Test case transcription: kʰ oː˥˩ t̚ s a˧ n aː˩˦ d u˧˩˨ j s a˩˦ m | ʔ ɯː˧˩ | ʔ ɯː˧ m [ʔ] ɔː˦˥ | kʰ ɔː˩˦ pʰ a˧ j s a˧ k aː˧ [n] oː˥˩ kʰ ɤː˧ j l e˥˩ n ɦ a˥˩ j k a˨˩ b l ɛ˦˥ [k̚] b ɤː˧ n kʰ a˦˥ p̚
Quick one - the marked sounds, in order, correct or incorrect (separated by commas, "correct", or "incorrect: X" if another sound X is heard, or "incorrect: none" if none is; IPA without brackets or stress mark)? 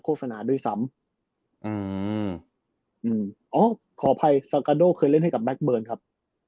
correct, incorrect: d, correct